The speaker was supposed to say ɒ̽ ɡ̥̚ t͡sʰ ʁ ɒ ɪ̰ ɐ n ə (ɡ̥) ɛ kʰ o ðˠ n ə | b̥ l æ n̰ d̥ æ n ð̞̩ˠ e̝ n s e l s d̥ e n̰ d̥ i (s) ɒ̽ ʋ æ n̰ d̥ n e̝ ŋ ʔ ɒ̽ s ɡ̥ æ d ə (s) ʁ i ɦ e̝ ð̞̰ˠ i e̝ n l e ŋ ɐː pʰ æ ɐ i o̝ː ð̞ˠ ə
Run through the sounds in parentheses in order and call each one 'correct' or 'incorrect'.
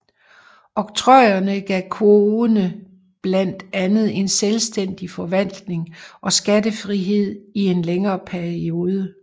correct, incorrect: f, incorrect: f

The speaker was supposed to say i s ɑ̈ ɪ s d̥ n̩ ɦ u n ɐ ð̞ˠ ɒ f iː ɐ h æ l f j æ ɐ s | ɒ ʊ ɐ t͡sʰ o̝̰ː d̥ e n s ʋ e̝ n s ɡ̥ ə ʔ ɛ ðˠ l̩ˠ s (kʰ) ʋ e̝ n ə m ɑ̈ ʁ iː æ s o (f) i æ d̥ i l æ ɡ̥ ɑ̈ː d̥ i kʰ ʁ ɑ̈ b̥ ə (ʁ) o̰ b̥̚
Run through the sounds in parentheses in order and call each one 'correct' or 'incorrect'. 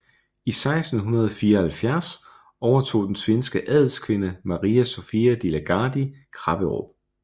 correct, correct, correct

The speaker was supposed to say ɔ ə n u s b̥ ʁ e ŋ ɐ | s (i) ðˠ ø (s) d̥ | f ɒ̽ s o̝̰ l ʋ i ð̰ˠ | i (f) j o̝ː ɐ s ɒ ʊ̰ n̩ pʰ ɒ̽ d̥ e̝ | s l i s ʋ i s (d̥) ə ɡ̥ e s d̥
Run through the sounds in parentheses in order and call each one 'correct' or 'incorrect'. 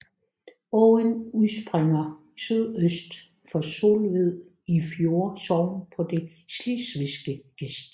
incorrect: y, correct, correct, incorrect: ɡ̥

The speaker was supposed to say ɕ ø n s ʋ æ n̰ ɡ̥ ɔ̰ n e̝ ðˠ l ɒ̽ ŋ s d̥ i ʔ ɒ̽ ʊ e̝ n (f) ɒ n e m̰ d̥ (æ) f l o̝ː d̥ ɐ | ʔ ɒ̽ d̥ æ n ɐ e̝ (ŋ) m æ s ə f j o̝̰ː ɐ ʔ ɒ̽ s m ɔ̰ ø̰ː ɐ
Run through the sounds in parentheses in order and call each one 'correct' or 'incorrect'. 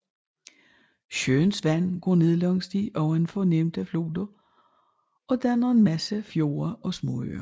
correct, correct, incorrect: n

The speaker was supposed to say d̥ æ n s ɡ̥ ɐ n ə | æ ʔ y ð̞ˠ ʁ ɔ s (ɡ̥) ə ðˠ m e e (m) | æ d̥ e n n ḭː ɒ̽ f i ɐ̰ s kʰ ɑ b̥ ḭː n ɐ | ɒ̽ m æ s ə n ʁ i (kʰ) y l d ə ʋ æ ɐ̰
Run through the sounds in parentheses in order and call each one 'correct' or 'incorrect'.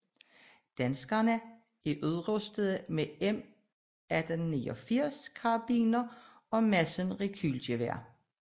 incorrect: d̥, correct, correct

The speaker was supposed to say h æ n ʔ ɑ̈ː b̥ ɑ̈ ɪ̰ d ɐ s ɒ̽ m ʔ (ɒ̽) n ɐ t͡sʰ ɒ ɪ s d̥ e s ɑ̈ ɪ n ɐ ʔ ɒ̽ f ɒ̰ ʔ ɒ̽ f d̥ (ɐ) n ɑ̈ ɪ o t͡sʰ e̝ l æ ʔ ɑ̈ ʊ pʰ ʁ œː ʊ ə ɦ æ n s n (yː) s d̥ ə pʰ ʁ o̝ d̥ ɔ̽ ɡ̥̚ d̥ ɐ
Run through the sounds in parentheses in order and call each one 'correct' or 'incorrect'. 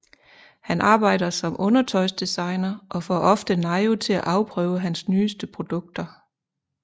incorrect: ɔ̽, incorrect: ə, correct

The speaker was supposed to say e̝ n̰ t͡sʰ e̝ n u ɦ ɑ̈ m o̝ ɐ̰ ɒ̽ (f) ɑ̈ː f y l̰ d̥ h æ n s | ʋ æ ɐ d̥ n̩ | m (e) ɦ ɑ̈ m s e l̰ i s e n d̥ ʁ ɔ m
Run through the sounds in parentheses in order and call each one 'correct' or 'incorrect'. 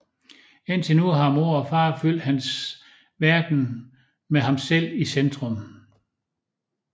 correct, correct

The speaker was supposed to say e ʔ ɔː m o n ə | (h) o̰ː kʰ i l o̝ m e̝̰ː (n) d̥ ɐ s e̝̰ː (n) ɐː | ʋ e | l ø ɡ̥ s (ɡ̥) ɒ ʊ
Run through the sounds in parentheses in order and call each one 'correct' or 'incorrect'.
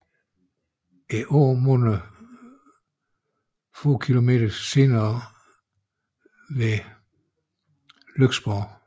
incorrect: f, incorrect: none, correct, incorrect: b̥

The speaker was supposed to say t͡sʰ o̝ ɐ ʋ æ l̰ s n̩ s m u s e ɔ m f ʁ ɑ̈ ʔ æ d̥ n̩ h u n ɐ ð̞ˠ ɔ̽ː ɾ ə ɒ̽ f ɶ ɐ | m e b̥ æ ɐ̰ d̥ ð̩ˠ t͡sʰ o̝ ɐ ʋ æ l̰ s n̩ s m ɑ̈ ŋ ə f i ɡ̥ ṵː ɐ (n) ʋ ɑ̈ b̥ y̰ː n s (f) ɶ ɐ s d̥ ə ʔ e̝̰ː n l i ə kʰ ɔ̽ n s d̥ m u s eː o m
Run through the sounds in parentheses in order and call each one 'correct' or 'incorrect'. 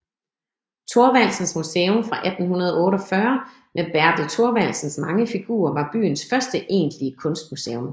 incorrect: none, correct

